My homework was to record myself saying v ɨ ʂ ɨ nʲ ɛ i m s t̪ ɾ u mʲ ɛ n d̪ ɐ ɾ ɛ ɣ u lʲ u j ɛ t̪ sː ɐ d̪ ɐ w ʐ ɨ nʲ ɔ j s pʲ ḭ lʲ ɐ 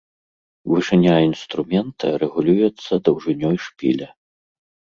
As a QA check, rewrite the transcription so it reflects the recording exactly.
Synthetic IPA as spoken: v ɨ ʂ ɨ nʲ a i n s t̪ ɾ u mʲ ɛ n t̪ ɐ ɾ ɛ ɣ u lʲ u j ɛ t̪ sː ɐ d̪ ɐ w ʐ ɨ nʲ ɔ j ʂ pʲ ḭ lʲ ɐ